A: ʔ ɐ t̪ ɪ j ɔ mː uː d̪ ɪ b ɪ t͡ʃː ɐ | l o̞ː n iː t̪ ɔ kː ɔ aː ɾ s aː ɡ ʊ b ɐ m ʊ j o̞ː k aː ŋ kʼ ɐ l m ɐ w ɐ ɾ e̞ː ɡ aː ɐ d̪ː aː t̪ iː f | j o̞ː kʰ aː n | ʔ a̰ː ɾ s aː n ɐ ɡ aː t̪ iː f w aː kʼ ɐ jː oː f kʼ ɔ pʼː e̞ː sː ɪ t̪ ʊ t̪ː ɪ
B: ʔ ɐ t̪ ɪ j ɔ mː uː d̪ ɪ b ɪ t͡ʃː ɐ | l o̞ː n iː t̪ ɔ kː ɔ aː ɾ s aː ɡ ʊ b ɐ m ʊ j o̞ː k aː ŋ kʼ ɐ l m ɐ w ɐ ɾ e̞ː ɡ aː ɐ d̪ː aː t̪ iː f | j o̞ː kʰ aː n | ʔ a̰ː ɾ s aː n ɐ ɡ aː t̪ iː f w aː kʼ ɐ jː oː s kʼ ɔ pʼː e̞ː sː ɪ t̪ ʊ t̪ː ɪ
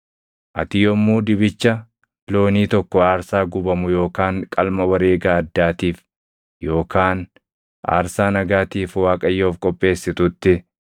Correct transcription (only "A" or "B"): A